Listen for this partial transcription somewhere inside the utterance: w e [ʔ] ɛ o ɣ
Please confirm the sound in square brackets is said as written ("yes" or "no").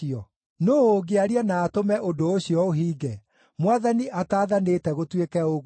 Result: no